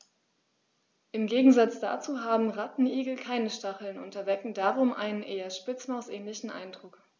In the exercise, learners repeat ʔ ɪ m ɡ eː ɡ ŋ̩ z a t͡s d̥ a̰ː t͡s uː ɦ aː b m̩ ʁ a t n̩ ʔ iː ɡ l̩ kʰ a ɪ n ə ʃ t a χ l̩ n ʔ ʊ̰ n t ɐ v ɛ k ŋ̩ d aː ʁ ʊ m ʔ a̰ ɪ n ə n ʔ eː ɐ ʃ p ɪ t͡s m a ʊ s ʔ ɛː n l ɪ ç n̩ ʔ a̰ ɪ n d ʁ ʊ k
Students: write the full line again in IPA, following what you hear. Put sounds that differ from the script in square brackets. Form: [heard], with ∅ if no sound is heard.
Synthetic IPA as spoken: ʔ ɪ m ɡ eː ɡ ŋ̩ z a t͡s d̥ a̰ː t͡s uː ɦ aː b m̩ ʁ a t n̩ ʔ iː ɡ l̩ kʰ a ɪ n ə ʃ t a χ l̩ n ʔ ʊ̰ n t ɐ v ɛ k ŋ̩ d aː ʁ ʊ m ʔ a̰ ɪ n ə n ʔ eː ɐ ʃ p ɪ t͡s m a ʊ s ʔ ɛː n l ɪ ç n̩ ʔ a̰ ɪ n d ʁ ʊ k

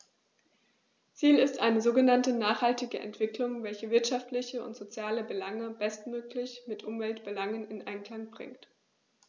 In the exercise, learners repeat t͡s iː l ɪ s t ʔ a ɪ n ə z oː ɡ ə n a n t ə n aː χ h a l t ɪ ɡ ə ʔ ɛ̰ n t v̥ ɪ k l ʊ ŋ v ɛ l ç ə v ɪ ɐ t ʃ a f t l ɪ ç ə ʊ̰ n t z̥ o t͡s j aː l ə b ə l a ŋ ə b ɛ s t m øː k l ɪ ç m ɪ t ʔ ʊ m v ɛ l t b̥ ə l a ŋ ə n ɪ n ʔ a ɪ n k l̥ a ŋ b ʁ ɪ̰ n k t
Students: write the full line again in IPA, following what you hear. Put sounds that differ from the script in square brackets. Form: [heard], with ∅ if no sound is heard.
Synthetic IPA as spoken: t͡s iː l ɪ s t ʔ a ɪ n ə z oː ɡ ə n a n t ə n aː χ h a l t ɪ ɡ ə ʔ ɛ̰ n t v̥ ɪ k l ʊ ŋ v ɛ l ç ə v ɪ ɐ t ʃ a f t l ɪ ç ə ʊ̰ n t z̥ o t͡s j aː l ə b ə l a ŋ ə b ɛ s t m øː k l ɪ ç m ɪ t ʔ ʊ m v ɛ l t b̥ ə l a ŋ ə n ɪ n ʔ a ɪ n k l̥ a ŋ b ʁ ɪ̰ [ŋ] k t

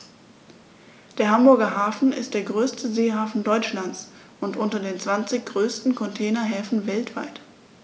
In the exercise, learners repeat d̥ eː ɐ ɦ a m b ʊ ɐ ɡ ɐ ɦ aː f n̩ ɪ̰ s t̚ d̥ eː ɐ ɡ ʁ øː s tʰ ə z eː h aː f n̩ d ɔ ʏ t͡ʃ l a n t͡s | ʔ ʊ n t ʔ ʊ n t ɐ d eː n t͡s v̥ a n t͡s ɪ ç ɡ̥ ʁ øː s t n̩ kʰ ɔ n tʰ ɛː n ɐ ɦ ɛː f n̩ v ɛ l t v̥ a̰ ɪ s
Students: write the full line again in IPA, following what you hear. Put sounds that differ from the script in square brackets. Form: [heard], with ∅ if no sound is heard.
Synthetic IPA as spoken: d̥ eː ɐ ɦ a m b ʊ ɐ ɡ ɐ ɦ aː f n̩ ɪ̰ s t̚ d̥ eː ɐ ɡ ʁ øː s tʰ ə z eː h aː f n̩ d ɔ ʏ t͡ʃ l a n t͡s | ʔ ʊ n t ʔ ʊ n t ɐ d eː n t͡s v̥ a n t͡s ɪ ç ɡ̥ ʁ øː s t n̩ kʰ ɔ n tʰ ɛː n ɐ ɦ ɛː f n̩ v ɛ l t v̥ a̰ ɪ [t]

